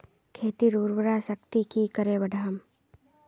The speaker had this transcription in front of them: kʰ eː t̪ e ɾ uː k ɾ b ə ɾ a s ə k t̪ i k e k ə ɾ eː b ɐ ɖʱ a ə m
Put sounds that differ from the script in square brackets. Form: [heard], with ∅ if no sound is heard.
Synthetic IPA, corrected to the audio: kʰ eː t̪ [i] ɾ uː [∅] ɾ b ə ɾ a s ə k t̪ i k [i] k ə ɾ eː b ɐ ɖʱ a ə m